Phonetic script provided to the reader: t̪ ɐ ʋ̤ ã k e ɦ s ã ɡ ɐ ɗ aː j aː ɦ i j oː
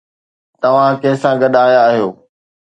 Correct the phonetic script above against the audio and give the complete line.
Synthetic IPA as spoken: t̪ ɐ ʋ̤ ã k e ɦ s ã ɡ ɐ ɗ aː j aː ɦ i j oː